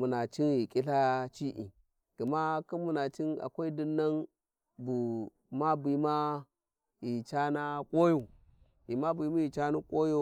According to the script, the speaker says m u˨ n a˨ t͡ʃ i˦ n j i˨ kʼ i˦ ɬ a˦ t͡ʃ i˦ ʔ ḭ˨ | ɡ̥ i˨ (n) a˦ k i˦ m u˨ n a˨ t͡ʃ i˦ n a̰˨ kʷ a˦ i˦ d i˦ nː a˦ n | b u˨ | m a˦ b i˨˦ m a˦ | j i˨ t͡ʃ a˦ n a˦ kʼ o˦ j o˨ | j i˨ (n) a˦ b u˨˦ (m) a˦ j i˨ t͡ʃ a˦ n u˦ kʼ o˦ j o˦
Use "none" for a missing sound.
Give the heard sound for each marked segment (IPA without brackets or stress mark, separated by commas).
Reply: m, m, m